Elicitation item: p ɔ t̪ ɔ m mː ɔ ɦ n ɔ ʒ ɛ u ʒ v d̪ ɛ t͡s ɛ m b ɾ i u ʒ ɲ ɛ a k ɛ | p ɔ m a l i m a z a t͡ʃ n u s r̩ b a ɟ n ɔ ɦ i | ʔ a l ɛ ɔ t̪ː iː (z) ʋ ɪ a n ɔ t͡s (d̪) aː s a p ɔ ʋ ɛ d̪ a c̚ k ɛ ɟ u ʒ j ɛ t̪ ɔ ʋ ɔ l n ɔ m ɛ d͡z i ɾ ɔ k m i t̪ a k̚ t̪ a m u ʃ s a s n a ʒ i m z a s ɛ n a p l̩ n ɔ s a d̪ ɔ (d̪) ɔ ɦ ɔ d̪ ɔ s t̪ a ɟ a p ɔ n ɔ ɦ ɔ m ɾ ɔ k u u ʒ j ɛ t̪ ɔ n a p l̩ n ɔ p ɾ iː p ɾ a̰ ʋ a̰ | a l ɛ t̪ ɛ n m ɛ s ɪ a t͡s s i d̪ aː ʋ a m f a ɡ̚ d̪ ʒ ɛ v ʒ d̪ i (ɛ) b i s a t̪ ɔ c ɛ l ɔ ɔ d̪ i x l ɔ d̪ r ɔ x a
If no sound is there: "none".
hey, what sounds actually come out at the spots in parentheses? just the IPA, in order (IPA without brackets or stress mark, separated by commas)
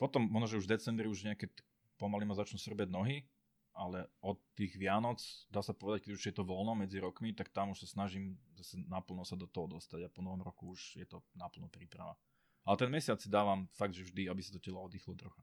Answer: ɣ, d̪, t̪, a